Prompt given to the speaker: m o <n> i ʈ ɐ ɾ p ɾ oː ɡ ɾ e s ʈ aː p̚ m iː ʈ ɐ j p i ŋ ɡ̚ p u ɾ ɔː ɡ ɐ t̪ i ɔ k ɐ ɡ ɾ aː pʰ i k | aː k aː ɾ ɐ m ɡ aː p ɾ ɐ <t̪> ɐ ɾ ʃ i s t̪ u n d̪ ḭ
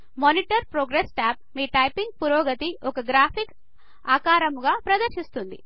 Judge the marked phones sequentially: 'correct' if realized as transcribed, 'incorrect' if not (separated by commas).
correct, incorrect